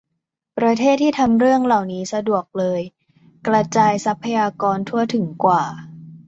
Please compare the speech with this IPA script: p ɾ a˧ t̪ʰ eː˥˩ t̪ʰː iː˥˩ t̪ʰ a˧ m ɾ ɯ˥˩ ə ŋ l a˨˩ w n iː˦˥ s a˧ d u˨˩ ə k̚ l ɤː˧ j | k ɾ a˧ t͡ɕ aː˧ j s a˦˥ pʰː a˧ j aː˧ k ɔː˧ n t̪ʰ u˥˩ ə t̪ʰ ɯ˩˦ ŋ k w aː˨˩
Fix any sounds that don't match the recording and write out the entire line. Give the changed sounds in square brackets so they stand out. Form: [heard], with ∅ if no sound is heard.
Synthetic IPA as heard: p ɾ a˧ t̪ʰ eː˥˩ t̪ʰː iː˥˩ t̪ʰ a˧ m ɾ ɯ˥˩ ə ŋ l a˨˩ w n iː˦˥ s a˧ d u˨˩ ə k̚ l ɤː˧ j | k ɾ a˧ t͡ɕ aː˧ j s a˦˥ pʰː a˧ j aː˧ k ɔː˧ n t̪ʰ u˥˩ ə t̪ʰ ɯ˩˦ ŋ k w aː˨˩